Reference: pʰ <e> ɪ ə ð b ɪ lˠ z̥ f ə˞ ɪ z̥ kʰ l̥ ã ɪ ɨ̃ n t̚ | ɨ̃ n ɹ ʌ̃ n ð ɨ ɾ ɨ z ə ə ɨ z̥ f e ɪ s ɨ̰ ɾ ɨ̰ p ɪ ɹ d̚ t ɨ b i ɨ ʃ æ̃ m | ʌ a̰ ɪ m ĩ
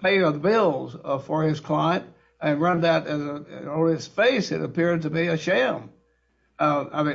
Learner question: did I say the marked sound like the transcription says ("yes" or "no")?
yes